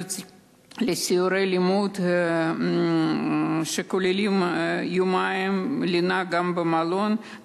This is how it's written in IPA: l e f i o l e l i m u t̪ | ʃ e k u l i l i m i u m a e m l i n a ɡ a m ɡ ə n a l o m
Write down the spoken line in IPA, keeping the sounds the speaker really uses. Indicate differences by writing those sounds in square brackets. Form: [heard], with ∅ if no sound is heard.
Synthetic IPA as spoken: l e [s] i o [ɾ] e l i m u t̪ | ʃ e k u l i l i m [j] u m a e m l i n a ɡ a m [b] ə [m] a l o [n]

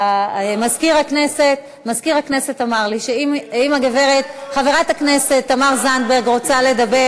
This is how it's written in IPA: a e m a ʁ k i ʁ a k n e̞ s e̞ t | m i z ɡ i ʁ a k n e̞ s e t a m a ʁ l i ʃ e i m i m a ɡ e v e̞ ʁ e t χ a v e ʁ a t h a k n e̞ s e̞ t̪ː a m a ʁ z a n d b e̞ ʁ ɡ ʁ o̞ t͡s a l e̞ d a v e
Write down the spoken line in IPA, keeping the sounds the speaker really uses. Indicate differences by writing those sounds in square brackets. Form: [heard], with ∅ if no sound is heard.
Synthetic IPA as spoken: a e m a [z] k i ʁ a k n e̞ s e̞ t | m [a] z [k] i ʁ a k n e̞ s e t a m a ʁ l i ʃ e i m i m a ɡ e v e̞ ʁ e t χ a v e ʁ a t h a k n e̞ s e̞ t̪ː a m a ʁ z a n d b e̞ ʁ ɡ ʁ o̞ t͡s a l e̞ d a [b] e

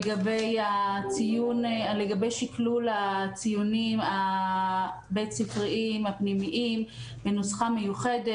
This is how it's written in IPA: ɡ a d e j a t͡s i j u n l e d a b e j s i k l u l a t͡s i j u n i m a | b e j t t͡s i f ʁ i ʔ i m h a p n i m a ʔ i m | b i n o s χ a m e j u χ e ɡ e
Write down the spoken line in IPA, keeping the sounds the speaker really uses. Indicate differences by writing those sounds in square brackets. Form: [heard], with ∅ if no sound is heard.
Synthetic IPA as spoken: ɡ a [b] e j a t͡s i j u n l e [ɡ] a b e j [ʃ] i k l u l a t͡s i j u n i m a | b e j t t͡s i f ʁ i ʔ i m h a p n i m [i] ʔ i m | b [e] n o s χ a m e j u χ e [d] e

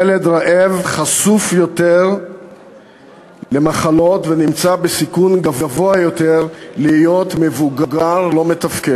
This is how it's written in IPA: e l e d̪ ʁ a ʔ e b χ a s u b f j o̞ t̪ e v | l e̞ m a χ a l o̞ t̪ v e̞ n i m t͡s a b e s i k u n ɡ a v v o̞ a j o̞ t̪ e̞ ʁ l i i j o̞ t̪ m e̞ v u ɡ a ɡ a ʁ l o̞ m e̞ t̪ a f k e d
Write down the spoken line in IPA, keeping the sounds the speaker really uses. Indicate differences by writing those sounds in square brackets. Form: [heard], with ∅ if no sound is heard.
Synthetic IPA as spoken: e l e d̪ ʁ a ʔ e [v] χ a s u [∅] f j o̞ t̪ e [ʁ] | l e̞ m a χ a l o̞ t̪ v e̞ n i m t͡s a b e s i k u n ɡ a v v o̞ a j o̞ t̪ e̞ ʁ l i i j o̞ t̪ m e̞ v u ɡ a ɡ a ʁ l o̞ m e̞ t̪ a f k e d

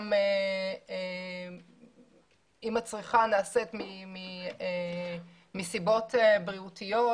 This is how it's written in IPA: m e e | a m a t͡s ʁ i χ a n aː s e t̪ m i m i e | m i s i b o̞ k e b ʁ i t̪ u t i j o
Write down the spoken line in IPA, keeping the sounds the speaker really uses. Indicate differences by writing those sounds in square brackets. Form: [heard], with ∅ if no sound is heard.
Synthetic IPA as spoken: m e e | [i] m a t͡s ʁ i χ a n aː s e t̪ m i m i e | m i s i b o̞ [t] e b ʁ i [∅] u t i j o

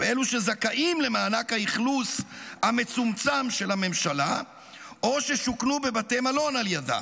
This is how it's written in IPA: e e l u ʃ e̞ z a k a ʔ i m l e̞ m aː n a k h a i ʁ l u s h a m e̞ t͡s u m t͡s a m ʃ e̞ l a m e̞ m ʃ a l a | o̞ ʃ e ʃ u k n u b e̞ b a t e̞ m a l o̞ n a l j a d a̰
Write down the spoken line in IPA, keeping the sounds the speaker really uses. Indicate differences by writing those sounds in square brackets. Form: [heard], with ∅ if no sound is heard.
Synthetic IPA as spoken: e e l u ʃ e̞ z a k a ʔ i m l e̞ m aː n a k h a i [χ] l u s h a m e̞ t͡s u m t͡s a m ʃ e̞ l a m e̞ m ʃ a l a | o̞ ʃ e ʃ u k n u b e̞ b a t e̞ m a l o̞ n a l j a d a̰

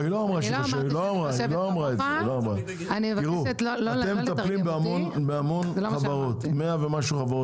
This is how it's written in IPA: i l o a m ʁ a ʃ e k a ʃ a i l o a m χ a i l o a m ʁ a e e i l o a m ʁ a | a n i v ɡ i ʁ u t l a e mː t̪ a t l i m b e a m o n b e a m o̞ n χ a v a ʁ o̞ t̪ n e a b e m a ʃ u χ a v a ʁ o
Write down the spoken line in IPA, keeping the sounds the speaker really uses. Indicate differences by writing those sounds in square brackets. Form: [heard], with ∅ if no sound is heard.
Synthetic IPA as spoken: i l o a m ʁ a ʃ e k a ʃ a i l o a m [ʁ] a i l o a m ʁ a e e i l o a m ʁ a | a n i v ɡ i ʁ u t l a e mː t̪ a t l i m b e a m o n b e a m o̞ n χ a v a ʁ o̞ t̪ [m] e a [v] e m a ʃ u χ a v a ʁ o

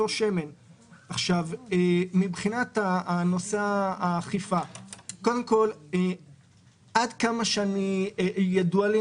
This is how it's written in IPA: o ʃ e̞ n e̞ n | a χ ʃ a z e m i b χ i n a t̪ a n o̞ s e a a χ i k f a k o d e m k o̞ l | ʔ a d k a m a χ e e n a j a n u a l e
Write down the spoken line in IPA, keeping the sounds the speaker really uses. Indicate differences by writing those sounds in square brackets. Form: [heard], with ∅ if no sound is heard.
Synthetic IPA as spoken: o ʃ e̞ [m] e̞ n | a χ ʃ a [v] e m i b χ i n a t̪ a n o̞ s e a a χ i [∅] f a k o d e m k o̞ l | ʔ a d k a m a [ʃ] e [a] n [i] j a [d] u a l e

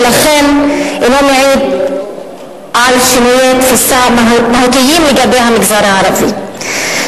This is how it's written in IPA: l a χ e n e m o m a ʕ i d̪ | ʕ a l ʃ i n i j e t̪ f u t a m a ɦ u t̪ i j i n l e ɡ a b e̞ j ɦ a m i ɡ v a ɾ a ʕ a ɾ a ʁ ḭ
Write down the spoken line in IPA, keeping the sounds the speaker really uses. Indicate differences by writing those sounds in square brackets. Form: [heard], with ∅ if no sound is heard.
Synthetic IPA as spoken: l a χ e n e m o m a ʕ i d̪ | ʕ a l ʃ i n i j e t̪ f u [s] a m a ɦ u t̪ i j i [m] l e ɡ a b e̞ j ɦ a m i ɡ [z] a ɾ a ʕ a ɾ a [v] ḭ

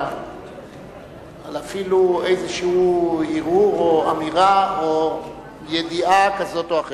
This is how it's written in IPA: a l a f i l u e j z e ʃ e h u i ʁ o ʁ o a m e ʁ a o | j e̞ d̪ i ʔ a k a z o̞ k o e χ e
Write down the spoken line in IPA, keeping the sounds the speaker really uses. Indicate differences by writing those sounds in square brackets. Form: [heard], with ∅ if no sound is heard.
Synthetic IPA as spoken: a l a f i l u e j z e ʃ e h u i ʁ [u] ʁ o a m [i] ʁ a o | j e̞ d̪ i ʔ a k a z o̞ [t] o [a] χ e

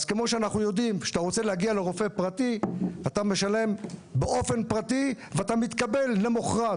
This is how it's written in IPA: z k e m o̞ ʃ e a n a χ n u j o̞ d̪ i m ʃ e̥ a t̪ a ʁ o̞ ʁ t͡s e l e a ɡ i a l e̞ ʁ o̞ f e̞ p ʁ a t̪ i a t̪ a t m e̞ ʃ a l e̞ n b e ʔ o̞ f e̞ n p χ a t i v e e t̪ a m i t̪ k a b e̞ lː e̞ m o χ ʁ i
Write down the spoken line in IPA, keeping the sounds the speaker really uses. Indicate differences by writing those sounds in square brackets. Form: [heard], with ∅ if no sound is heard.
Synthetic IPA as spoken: z k e m o̞ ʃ e a n a χ n u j o̞ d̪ i m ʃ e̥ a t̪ a ʁ o̞ [∅] t͡s e l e a ɡ i a l e̞ ʁ o̞ f e̞ p ʁ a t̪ i a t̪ a [∅] m e̞ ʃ a l e̞ [m] b e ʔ o̞ f e̞ n p [ʁ] a t i v e [a] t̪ a m i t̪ k a b e̞ lː e̞ m o χ ʁ [a]

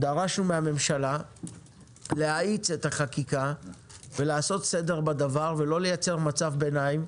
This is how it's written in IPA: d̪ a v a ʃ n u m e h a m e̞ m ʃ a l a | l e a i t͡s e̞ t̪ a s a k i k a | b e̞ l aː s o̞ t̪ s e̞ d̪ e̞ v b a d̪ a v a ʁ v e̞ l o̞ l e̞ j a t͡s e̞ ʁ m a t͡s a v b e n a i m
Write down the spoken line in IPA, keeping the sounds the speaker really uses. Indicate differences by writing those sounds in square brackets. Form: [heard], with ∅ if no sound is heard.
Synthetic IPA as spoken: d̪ a [ʁ] a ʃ n u m e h a m e̞ m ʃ a l a | l e a i t͡s e̞ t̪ a [χ] a k i k a | [v] e̞ l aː s o̞ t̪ s e̞ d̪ e̞ [ʁ] b a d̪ a v a ʁ v e̞ l o̞ l e̞ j a t͡s e̞ ʁ m a t͡s a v b e n a i m

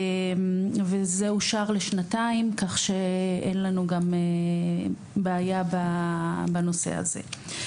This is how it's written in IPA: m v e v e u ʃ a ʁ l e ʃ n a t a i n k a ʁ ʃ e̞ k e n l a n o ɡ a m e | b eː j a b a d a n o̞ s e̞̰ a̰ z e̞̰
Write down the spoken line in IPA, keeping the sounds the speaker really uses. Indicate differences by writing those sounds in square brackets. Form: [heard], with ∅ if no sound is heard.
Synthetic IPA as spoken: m v e [z] e u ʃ a ʁ l e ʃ n a t a i [m] k a [χ] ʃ e̞ [∅] e n l a n [u] ɡ a m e | b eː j a b a [b] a n o̞ s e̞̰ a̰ z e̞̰

